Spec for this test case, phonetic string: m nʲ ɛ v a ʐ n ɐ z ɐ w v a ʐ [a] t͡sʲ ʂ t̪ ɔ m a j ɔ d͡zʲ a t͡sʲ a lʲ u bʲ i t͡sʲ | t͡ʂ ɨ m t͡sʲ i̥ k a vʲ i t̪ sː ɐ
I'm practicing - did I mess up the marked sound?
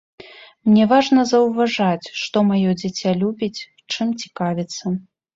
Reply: no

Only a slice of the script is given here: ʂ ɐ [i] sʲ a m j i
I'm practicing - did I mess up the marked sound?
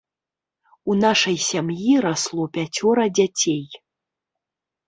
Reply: yes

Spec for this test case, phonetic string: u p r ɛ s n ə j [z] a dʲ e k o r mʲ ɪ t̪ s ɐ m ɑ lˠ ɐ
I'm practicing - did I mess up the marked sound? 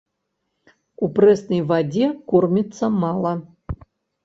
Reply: yes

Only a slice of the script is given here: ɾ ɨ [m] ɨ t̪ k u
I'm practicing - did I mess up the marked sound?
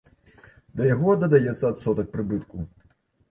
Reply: yes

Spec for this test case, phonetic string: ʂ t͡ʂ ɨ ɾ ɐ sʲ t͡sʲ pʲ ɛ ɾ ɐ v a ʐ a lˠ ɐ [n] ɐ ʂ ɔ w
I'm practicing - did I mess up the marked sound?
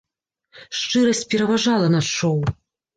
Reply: no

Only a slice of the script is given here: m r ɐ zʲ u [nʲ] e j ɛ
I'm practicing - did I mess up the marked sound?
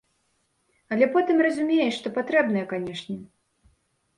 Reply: yes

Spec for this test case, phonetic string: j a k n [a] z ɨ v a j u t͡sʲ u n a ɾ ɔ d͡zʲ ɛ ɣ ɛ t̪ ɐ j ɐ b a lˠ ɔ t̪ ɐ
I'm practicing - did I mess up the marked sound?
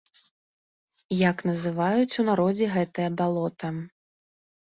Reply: yes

